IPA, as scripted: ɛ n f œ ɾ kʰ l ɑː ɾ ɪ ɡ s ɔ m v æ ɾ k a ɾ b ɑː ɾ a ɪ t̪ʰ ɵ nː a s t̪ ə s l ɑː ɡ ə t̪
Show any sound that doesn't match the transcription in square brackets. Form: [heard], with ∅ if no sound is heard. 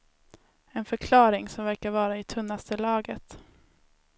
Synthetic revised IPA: ɛ n f œ ɾ kʰ l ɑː ɾ ɪ [ŋ] s ɔ m v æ ɾ k a ɾ [v] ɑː ɾ a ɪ t̪ʰ ɵ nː a s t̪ ə [∅] l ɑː ɡ ə t̪